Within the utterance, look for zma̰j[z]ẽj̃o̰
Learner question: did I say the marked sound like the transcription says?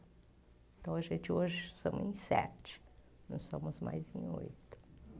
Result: yes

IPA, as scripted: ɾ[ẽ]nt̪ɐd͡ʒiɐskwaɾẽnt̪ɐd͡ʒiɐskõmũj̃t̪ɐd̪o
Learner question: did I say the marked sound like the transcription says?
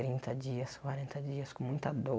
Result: no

